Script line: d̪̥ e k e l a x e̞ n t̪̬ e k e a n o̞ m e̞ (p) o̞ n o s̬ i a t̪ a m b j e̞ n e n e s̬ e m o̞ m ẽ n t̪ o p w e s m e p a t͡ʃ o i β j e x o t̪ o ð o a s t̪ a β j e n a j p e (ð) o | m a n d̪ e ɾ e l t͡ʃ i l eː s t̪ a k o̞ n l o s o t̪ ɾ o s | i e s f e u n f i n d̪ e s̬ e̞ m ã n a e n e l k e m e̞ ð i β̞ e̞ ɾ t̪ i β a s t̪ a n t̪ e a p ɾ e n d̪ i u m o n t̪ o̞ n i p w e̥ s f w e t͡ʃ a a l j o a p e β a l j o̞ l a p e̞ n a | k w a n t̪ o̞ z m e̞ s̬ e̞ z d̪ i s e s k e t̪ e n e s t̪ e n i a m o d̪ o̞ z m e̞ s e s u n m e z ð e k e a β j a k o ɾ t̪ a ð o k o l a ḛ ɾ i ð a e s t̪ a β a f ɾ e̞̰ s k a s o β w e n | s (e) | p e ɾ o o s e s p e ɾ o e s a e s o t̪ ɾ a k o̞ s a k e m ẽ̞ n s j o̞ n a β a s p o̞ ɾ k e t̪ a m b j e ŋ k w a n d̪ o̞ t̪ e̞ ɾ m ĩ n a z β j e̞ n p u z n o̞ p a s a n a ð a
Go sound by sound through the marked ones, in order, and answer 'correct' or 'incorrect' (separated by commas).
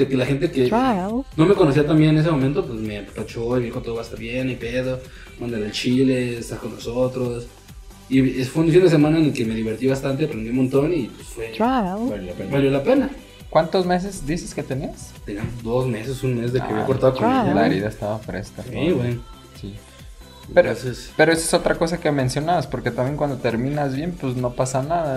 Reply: incorrect, correct, incorrect